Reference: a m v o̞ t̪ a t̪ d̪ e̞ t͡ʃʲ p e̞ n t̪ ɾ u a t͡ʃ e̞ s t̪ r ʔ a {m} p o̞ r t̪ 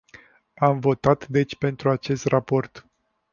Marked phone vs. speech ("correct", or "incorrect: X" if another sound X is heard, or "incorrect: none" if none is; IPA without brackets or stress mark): incorrect: none